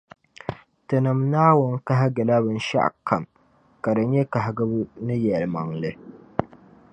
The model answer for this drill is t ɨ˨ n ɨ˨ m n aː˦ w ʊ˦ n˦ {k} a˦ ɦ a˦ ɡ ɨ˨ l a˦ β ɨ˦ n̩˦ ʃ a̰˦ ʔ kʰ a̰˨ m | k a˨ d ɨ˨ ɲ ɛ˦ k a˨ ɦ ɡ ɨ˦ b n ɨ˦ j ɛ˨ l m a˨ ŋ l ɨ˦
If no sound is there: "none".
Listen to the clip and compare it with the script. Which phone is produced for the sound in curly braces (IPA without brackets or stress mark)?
k